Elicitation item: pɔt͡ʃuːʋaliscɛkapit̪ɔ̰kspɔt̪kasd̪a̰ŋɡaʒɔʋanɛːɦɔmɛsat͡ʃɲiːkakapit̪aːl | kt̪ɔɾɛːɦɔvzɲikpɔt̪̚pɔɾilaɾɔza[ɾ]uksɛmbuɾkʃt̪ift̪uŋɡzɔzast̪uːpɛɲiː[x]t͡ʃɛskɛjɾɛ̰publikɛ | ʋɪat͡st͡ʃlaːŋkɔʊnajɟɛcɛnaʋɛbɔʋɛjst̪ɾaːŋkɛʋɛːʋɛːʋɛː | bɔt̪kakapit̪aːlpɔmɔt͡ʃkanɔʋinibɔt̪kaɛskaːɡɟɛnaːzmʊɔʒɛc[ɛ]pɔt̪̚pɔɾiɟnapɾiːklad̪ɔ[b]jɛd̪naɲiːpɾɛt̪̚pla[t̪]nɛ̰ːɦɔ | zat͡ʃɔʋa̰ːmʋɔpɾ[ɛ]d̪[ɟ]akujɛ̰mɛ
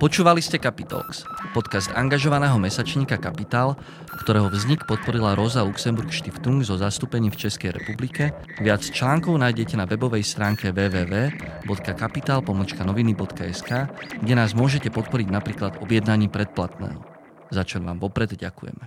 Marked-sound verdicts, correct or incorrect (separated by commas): incorrect, incorrect, correct, correct, correct, correct, correct